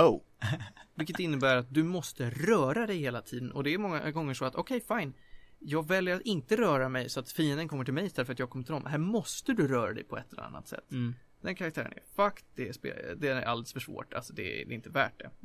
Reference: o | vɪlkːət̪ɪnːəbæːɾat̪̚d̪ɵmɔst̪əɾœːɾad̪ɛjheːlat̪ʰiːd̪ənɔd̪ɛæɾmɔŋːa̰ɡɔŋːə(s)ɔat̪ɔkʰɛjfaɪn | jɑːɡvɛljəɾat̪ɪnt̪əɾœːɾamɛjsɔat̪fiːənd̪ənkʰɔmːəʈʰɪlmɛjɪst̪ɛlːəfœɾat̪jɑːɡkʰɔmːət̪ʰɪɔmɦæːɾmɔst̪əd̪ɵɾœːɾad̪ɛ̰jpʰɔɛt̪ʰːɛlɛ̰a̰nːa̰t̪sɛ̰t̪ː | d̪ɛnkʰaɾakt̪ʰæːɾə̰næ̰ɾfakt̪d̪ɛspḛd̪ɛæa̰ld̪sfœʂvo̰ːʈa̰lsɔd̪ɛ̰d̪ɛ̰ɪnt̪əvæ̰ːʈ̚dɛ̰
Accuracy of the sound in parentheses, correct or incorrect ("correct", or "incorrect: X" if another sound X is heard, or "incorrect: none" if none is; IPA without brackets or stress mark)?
incorrect: ʂ